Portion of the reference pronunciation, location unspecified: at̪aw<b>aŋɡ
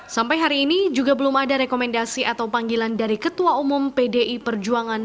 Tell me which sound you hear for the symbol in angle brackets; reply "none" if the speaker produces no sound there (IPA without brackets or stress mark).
p